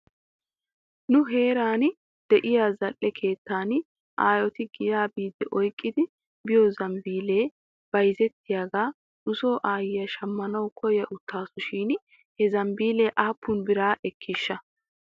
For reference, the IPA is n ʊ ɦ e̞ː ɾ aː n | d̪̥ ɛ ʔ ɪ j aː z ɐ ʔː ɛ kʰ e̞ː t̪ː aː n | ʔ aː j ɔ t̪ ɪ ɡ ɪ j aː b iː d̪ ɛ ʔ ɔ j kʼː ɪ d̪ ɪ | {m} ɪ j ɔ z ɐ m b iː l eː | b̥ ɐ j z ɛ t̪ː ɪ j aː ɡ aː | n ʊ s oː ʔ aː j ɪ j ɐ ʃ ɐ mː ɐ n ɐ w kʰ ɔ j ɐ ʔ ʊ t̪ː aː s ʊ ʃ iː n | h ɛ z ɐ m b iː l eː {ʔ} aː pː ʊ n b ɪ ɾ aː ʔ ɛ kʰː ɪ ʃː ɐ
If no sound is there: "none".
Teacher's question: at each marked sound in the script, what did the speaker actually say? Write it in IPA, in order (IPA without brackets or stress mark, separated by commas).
b, ʔ